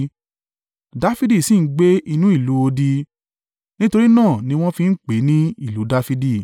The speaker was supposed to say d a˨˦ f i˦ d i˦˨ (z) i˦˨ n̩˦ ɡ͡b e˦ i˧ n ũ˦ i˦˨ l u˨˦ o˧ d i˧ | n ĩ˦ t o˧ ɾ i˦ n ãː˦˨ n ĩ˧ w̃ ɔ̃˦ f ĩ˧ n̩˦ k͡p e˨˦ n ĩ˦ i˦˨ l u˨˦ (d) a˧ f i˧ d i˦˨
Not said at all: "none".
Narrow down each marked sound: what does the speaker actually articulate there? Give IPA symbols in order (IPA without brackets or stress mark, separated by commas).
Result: s, d